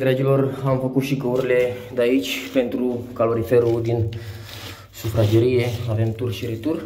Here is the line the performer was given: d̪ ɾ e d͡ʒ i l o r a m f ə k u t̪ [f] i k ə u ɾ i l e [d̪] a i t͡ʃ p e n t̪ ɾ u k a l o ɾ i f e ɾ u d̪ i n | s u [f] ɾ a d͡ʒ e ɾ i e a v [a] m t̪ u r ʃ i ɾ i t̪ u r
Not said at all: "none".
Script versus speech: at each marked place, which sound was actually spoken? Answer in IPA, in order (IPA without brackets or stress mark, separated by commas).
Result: ʃ, d̪, f, e